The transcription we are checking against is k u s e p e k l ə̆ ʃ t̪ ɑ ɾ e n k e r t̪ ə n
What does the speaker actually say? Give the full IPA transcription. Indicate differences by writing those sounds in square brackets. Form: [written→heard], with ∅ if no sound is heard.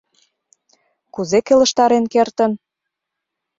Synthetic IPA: k u [s→z] e [p→k] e [k→∅] l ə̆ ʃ t̪ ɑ ɾ e n k e r t̪ ə n